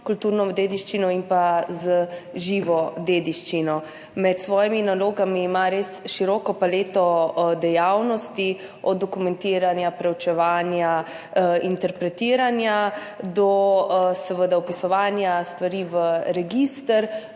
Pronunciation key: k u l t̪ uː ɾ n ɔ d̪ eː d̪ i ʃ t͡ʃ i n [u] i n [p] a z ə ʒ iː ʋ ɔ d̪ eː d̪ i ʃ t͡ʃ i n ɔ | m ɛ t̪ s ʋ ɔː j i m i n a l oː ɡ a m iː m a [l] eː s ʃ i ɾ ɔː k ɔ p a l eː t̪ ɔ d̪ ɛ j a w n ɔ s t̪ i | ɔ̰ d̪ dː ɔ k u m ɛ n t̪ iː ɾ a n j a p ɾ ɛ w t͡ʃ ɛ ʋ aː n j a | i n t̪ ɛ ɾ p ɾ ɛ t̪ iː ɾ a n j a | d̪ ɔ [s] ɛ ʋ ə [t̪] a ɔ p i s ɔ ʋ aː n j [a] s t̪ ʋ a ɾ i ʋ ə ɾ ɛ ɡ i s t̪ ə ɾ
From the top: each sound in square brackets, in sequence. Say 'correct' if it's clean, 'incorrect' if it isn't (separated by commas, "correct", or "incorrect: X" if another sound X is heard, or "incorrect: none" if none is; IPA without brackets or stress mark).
incorrect: ɔ, correct, incorrect: ɾ, correct, incorrect: d̪, correct